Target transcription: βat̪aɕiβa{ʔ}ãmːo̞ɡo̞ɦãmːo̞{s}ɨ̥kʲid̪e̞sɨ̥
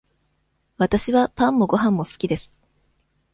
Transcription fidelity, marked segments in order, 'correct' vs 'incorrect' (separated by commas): incorrect, correct